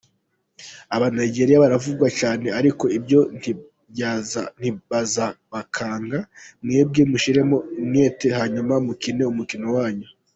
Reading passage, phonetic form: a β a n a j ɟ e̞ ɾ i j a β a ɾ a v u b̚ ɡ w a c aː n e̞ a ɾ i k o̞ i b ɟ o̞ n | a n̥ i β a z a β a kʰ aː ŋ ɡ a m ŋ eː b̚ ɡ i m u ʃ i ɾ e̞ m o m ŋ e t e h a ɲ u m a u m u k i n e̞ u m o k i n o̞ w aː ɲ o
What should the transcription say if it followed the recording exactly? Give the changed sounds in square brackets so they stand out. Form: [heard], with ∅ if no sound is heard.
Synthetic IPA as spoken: a β a n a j ɟ e̞ ɾ i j a β a ɾ a v u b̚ ɡ w a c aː n e̞ a ɾ i k o̞ i b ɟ o̞ n | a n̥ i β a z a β a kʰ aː ŋ ɡ a m ŋ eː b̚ ɡ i m u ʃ i ɾ e̞ m o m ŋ e t e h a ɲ u m a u m u k i n e̞ u m [u] k i n o̞ w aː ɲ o